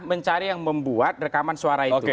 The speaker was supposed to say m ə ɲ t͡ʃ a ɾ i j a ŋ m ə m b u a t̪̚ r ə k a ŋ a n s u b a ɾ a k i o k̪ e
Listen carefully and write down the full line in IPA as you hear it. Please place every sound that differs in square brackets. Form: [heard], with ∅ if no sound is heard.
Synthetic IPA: m ə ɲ t͡ʃ a ɾ i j a ŋ m ə m b u a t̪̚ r ə k a [m] a n s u [∅] a ɾ a [∅] i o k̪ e